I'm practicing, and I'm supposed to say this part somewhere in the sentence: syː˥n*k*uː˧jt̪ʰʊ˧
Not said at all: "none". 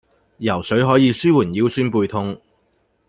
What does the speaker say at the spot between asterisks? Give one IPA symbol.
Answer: p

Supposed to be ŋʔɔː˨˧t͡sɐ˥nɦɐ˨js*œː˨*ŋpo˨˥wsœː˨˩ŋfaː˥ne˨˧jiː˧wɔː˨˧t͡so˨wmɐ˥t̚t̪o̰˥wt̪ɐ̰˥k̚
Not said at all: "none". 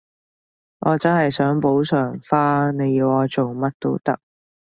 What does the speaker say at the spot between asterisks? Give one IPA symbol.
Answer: œː˨˥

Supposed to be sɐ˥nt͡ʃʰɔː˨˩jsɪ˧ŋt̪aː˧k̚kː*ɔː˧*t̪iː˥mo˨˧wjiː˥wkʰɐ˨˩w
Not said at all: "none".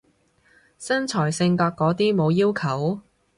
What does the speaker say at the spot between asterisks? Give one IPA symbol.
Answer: ɔː˨˥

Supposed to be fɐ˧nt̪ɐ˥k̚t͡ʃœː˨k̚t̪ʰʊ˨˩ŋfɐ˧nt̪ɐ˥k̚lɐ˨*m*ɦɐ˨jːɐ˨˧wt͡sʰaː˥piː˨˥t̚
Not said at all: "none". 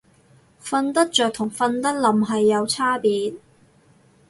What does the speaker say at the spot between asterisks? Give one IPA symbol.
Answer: m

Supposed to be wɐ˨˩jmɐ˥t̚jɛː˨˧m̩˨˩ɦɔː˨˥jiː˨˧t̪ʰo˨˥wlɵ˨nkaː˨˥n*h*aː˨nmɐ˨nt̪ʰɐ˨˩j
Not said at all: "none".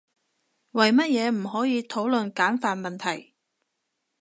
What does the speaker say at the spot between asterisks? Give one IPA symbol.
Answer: f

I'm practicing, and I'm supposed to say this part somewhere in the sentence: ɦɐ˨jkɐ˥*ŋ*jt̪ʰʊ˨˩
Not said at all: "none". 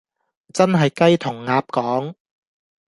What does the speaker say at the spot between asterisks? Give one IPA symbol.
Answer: none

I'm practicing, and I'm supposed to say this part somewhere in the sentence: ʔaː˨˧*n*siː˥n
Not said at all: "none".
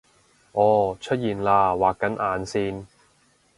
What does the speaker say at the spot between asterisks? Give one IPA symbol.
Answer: n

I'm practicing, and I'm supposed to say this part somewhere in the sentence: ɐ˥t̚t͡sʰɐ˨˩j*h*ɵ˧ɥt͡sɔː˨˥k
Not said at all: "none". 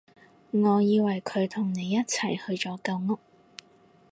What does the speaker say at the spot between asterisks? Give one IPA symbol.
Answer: h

